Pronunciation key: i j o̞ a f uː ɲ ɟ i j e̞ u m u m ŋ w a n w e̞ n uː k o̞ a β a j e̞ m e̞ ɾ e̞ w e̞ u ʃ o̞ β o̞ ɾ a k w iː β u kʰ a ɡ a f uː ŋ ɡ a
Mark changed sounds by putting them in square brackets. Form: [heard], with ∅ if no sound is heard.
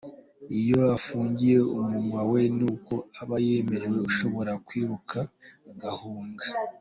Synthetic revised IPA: i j o̞ a f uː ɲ ɟ i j e̞ u m u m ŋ w a [∅] w e̞ n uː k o̞ a β a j e̞ m e̞ ɾ e̞ w e̞ u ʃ o̞ β o̞ ɾ a k w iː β u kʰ a ɡ a [h] uː ŋ ɡ a